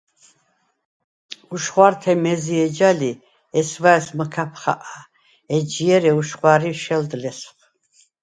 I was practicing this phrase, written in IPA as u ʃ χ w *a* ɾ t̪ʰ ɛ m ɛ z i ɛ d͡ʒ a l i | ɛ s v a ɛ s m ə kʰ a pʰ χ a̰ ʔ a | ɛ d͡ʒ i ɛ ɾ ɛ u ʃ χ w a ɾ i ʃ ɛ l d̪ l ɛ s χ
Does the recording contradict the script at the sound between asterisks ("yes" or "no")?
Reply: no